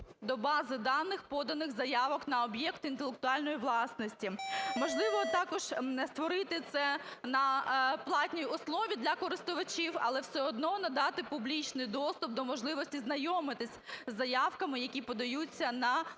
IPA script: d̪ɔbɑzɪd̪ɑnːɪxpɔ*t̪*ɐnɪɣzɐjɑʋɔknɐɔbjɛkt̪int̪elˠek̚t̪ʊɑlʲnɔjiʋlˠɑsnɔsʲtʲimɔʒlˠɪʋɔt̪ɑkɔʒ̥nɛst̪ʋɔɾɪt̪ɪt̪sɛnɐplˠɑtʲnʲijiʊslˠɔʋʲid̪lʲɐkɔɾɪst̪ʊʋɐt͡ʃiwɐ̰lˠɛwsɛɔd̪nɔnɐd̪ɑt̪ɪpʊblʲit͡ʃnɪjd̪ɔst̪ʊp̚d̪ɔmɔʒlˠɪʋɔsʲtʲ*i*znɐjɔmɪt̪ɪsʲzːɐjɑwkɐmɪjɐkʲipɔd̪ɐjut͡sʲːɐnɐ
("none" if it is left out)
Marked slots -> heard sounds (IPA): d̪, i

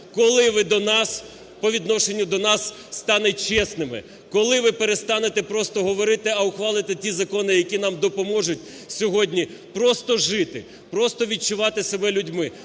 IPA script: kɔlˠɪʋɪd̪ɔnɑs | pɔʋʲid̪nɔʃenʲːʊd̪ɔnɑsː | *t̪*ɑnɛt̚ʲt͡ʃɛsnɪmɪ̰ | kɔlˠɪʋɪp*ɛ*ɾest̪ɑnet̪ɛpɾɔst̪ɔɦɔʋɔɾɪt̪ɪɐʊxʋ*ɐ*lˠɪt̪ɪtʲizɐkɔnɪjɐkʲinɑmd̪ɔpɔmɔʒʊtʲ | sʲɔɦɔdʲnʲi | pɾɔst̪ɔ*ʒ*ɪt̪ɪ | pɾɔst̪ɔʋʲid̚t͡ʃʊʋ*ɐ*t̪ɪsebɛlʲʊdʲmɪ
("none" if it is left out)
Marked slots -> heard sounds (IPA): t̪, e, ɑ, ʒ, ɑ

